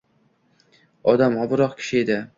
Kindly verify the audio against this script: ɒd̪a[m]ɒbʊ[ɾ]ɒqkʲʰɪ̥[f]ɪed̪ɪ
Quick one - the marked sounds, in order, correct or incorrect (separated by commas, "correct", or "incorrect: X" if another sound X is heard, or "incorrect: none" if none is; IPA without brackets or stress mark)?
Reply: correct, correct, incorrect: ʃ